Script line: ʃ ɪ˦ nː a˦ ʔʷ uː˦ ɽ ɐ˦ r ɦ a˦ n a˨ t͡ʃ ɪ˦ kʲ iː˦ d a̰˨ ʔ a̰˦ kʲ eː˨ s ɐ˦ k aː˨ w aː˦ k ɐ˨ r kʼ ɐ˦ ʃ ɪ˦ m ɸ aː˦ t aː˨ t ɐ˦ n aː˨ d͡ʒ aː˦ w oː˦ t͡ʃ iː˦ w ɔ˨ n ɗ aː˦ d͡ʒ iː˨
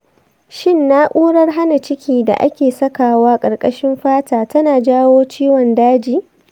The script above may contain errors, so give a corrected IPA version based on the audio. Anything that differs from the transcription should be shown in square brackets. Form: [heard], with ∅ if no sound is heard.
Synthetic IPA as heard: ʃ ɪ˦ nː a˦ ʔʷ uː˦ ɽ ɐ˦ r ɦ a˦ n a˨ t͡ʃ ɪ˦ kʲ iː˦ d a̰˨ ʔ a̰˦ kʲ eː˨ s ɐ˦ k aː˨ w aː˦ [kʼ] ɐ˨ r kʼ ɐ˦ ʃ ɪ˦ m ɸ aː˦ t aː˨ t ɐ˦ n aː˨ d͡ʒ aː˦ w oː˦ t͡ʃ iː˦ w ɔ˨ n [d] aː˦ d͡ʒ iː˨

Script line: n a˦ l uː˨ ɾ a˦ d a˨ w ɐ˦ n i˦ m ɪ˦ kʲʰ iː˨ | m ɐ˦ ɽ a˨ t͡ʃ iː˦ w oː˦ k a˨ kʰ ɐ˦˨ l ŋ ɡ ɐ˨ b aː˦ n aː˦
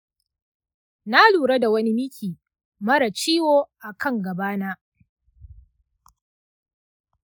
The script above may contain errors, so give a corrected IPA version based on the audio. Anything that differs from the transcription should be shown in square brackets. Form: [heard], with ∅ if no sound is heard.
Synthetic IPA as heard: n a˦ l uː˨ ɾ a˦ d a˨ w ɐ˦ n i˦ m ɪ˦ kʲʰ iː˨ | m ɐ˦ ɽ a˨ t͡ʃ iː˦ w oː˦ [ʔ] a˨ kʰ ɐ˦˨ [∅] ŋ ɡ ɐ˨ b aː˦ n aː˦

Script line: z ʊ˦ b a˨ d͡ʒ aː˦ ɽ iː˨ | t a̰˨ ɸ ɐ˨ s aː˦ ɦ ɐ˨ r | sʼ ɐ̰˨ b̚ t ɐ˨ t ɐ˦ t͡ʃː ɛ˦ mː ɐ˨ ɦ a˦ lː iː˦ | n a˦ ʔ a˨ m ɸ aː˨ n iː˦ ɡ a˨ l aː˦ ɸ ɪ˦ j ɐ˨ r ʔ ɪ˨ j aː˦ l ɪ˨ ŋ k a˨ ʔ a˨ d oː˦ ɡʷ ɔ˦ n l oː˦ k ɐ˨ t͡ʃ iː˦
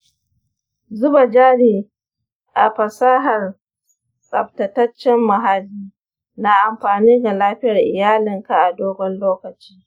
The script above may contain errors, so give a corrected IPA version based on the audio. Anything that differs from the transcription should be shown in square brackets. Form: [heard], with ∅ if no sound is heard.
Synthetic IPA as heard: z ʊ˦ b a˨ d͡ʒ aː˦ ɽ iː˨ | [ʔ] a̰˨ ɸ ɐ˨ s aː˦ ɦ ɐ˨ r | sʼ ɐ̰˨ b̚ t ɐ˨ t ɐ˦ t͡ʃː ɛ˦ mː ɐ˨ ɦ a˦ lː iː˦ | n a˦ ʔ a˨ m ɸ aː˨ n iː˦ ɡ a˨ l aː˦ ɸ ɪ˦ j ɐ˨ r ʔ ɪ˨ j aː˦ l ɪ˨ ŋ k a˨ ʔ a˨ d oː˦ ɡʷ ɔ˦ n l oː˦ k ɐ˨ t͡ʃ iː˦

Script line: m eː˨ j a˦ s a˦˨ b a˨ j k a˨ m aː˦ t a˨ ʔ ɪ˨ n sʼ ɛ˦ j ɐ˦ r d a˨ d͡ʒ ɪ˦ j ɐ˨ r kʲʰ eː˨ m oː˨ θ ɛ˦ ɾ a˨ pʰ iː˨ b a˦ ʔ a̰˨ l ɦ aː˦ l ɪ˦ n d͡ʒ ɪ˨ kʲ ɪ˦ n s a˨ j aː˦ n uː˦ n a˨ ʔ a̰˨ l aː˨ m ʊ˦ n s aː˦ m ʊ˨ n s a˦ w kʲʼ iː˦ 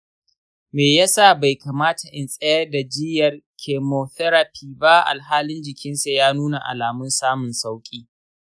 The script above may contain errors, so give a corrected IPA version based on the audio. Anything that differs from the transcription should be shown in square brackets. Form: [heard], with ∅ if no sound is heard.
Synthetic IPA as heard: m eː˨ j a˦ s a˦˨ b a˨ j k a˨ m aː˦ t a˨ ʔ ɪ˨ n sʼ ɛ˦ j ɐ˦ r d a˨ d͡ʒ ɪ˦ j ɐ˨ r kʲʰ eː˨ m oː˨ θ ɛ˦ ɾ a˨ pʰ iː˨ b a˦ ʔ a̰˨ l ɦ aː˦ l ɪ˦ n d͡ʒ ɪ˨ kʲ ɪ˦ n s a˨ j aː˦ n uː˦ n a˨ ʔ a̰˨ l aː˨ m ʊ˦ n s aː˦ m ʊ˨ n s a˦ w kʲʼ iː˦

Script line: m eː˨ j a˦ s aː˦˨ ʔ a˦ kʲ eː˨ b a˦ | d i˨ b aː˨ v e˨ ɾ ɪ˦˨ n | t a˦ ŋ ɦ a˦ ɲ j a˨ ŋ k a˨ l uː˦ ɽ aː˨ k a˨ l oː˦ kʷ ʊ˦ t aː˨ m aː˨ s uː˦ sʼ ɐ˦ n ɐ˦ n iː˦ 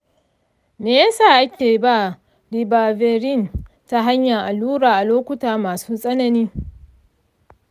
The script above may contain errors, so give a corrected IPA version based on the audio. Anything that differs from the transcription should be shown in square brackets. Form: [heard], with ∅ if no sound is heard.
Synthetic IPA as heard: m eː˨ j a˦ s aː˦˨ ʔ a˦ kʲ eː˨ b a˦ | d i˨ b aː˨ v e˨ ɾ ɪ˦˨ n | t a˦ [∅] ɦ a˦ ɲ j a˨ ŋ [ʔ] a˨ l uː˦ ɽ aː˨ [ʔ] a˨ l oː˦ kʷ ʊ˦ t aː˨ m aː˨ s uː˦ sʼ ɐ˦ n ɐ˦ n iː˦

